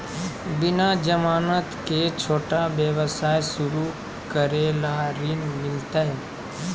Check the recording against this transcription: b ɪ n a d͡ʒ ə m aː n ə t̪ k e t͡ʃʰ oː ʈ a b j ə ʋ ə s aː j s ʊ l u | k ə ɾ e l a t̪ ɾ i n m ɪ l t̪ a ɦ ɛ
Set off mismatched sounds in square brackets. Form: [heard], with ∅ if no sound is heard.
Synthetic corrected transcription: b ɪ n a d͡ʒ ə m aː n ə t̪ k e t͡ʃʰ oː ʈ a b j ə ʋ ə s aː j s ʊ [ɾ] u | k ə ɾ e l a [∅] ɾ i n m ɪ l t̪ a ɦ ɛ